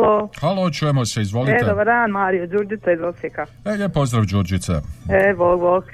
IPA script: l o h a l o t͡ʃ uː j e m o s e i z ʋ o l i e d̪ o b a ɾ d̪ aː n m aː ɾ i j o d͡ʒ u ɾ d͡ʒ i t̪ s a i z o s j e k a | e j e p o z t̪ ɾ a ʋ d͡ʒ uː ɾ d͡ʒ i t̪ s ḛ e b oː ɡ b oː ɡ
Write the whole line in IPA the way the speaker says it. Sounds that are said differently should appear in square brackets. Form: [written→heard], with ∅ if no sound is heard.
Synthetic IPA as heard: l o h a l o t͡ʃ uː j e m o s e i z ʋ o l i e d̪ o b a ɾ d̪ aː n m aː ɾ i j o d͡ʒ u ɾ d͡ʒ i t̪ s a i z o s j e k a | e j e p o z [t̪→d̪] ɾ a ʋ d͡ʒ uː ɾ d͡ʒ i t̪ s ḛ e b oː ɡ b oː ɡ